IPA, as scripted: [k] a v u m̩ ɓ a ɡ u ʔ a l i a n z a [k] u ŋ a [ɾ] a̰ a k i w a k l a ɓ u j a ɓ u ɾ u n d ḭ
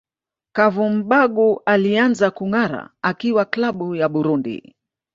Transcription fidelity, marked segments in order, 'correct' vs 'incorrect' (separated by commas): correct, correct, correct